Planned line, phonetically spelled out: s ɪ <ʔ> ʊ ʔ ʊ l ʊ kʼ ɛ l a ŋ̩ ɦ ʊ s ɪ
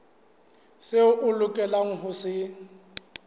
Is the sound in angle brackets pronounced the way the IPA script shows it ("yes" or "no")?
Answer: no